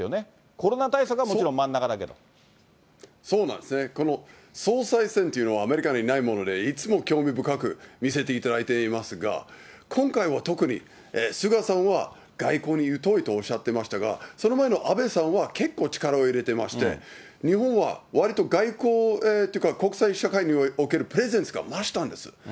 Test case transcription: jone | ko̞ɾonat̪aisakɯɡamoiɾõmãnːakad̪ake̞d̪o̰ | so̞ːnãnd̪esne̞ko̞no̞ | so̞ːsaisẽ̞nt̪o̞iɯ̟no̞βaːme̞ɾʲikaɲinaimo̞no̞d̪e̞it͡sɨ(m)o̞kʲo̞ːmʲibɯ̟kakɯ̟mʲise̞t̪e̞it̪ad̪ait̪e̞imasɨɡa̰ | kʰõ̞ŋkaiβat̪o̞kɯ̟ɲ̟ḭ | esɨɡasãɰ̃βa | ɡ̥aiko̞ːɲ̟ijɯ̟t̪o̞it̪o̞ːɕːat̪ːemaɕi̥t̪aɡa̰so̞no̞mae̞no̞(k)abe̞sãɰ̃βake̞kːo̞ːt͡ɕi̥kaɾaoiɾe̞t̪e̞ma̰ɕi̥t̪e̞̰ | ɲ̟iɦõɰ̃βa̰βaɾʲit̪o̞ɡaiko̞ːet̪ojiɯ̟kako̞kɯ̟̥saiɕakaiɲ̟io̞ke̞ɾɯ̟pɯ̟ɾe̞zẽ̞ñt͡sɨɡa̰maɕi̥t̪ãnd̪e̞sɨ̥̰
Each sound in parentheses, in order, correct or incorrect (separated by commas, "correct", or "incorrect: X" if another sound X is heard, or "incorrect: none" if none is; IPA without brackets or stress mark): correct, incorrect: ʔ